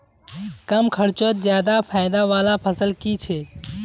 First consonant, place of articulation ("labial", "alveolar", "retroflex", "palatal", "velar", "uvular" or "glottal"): velar